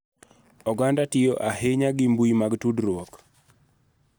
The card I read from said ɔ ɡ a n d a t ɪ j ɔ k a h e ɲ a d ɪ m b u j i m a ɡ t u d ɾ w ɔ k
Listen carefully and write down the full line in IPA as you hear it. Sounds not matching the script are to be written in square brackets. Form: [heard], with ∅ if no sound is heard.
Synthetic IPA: ɔ ɡ a n d a t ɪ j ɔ [ʔ] a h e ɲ a [ɡ] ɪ m b u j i m a ɡ t u d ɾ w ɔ k